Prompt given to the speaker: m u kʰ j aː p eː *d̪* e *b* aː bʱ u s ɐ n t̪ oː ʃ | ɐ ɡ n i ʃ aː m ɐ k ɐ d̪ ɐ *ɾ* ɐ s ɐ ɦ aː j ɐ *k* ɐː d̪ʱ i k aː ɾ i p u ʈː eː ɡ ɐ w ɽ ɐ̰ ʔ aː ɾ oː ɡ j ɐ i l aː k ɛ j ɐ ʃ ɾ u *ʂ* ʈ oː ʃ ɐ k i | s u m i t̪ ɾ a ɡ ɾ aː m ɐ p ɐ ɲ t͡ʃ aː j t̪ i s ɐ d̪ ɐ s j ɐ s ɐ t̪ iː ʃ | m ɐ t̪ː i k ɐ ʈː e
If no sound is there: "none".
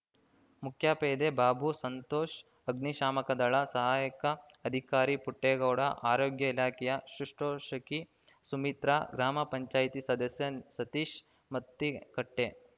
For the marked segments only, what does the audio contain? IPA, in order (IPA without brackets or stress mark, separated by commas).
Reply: d̪, b, ɭ, k, ʂ